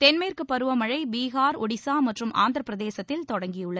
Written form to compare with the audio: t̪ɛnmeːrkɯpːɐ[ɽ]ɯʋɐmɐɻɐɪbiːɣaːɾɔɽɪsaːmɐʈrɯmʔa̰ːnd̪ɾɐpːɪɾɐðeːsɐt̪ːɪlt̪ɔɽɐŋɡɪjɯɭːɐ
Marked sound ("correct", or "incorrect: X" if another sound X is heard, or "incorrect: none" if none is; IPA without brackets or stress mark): incorrect: ɾ